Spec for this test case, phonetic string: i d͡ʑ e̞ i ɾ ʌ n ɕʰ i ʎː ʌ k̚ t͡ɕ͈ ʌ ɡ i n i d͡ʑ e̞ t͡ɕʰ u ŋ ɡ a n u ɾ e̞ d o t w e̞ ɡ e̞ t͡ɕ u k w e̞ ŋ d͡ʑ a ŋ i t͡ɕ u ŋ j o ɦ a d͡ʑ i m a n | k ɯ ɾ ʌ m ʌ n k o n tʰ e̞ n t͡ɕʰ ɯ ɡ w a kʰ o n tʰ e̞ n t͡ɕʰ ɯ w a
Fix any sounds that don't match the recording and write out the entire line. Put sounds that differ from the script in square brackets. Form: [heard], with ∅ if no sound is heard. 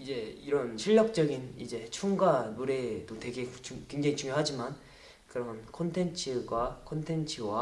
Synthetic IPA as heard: i d͡ʑ e̞ i ɾ ʌ n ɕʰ i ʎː ʌ k̚ t͡ɕ͈ ʌ ɡ i n i d͡ʑ e̞ t͡ɕʰ u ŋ ɡ a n u ɾ e̞ d o t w e̞ ɡ e̞ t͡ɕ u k w e̞ ŋ d͡ʑ a ŋ i t͡ɕ u ŋ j o ɦ a d͡ʑ i m a n | k ɯ ɾ ʌ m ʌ n [kʰ] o n tʰ e̞ n t͡ɕʰ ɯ ɡ w a kʰ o n tʰ e̞ n t͡ɕʰ ɯ w a